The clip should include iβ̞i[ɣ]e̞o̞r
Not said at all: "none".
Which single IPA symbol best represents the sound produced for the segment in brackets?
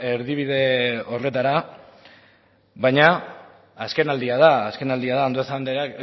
ð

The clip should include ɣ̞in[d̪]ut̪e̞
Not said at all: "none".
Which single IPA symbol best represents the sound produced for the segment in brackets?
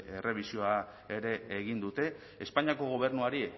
d̪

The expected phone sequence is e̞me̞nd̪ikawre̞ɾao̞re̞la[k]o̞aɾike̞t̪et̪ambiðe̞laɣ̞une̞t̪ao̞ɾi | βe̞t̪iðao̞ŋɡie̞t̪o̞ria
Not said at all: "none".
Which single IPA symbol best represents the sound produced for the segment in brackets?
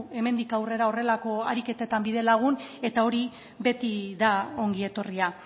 k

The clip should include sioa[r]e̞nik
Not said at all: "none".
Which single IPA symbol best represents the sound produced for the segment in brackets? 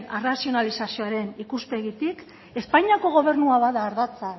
ɾ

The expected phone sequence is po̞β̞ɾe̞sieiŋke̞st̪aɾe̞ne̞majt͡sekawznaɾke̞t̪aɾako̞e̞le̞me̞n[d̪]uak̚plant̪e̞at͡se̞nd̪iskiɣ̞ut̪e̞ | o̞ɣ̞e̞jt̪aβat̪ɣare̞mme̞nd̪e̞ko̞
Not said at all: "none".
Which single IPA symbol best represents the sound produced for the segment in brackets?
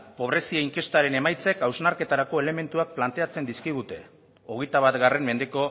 t̪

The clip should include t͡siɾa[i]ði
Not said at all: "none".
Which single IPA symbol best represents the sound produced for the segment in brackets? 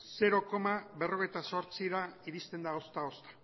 i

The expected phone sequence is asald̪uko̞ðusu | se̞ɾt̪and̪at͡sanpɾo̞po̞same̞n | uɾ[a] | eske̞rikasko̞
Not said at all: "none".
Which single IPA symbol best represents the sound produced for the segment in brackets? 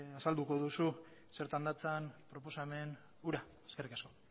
a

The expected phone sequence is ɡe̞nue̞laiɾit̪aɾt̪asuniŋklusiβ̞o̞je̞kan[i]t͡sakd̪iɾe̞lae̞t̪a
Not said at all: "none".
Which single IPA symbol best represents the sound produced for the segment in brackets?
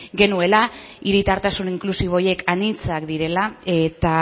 i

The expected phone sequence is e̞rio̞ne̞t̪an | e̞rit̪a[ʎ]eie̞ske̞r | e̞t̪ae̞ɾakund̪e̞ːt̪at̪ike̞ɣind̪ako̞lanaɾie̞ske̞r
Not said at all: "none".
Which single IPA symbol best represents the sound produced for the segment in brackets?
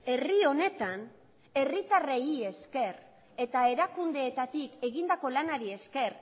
r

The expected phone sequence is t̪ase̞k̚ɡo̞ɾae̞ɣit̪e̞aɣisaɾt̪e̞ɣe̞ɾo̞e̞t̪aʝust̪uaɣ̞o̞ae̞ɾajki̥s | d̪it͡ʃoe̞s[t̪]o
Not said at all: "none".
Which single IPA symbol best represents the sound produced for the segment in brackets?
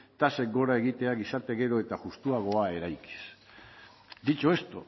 t̪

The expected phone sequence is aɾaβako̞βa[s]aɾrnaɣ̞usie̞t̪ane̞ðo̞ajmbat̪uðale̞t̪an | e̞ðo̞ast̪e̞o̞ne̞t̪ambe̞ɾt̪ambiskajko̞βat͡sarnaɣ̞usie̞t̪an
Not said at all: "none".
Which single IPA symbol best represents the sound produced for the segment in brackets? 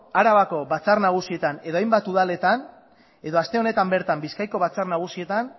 t͡s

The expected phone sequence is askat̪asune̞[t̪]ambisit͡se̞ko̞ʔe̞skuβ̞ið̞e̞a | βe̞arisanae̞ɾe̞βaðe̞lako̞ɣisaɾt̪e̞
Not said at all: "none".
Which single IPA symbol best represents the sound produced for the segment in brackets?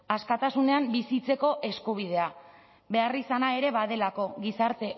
none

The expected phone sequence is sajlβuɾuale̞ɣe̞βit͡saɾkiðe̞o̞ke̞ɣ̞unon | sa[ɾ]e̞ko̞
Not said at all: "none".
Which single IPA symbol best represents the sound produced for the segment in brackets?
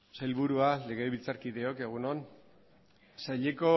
ʎ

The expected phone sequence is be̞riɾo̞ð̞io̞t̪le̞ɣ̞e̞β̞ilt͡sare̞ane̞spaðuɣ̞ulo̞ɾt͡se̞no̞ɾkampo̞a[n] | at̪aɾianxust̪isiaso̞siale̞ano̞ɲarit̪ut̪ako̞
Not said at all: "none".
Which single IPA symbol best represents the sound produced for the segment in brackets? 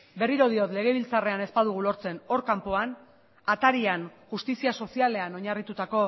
n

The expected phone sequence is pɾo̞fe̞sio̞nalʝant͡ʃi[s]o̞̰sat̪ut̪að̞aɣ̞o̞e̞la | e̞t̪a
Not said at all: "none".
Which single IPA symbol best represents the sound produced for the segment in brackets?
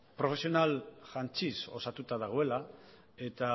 s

